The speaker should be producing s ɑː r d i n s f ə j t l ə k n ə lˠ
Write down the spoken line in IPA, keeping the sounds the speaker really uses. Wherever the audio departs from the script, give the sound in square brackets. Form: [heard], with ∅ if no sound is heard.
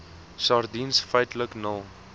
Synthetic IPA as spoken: s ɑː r d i n s f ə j t l ə k n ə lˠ

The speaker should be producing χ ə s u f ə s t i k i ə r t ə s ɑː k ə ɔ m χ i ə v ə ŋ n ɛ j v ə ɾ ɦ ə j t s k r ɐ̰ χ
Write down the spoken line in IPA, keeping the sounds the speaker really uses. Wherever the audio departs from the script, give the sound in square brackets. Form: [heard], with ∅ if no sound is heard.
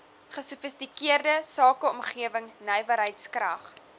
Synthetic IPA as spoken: χ ə s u f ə s t i k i ə r [d] ə s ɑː k ə ɔ m χ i ə v ə ŋ n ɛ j v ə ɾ ɦ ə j t s k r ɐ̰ χ

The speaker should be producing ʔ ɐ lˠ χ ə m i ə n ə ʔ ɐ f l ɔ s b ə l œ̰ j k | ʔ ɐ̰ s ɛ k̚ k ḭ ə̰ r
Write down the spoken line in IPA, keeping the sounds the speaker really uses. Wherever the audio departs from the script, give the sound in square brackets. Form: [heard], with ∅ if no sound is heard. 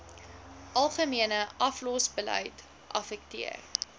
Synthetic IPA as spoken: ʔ ɐ lˠ χ ə m i ə n ə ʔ ɐ f l ɔ s b ə l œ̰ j [t] | ʔ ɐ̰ [f] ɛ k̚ [t] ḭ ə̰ r

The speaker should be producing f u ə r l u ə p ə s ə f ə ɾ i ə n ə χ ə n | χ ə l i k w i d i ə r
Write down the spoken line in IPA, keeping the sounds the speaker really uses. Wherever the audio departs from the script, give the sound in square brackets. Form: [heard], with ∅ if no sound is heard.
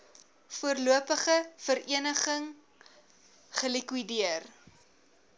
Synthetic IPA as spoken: f u ə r l u ə p ə [χ] ə f ə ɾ i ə n ə χ ə [ŋ] | χ ə l i k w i d i ə r

